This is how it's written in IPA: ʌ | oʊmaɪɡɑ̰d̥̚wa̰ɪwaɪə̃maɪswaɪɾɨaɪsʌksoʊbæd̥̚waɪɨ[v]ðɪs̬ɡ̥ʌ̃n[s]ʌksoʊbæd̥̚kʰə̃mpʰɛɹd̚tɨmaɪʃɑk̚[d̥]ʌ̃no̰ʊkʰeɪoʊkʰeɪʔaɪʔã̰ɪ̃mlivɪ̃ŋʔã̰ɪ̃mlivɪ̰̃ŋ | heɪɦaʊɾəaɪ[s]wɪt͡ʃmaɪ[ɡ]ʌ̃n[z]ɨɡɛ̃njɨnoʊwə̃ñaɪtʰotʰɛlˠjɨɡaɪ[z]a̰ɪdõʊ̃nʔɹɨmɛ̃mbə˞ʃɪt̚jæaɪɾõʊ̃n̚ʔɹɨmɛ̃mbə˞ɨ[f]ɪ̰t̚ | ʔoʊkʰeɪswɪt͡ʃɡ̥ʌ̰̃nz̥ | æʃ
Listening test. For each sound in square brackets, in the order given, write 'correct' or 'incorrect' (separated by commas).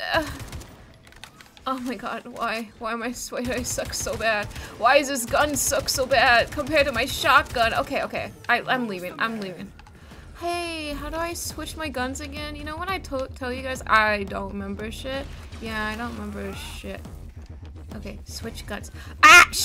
incorrect, correct, incorrect, correct, correct, correct, correct, incorrect